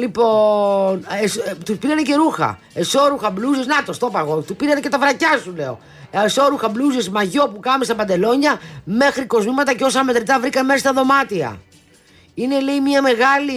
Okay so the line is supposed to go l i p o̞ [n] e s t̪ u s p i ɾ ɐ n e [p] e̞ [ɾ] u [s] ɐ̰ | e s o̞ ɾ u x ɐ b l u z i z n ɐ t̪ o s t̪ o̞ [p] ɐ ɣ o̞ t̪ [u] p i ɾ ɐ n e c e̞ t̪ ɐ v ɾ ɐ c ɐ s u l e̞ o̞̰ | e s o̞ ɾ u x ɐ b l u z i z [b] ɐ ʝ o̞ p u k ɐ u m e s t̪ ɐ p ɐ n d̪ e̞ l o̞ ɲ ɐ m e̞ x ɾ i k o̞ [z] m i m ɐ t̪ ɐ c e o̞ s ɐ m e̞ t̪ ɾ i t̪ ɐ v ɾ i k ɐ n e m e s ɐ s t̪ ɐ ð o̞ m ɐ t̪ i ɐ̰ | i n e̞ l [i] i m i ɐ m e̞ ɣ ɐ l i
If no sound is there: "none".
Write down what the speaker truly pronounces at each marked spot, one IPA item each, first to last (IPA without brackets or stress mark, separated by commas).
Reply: n, c, ɾ, x, p, u, m, z, e